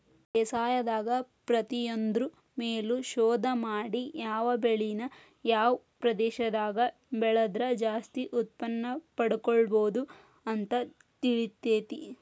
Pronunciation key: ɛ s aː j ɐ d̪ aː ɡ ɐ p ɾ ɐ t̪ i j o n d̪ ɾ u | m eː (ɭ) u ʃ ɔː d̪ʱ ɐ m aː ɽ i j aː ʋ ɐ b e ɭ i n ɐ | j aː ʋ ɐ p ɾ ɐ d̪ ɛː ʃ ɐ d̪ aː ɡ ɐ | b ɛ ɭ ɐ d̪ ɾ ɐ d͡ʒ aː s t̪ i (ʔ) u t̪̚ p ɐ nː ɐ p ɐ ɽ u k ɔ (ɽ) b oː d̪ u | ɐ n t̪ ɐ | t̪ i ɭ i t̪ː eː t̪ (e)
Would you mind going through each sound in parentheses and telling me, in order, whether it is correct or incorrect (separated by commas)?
incorrect, correct, incorrect, incorrect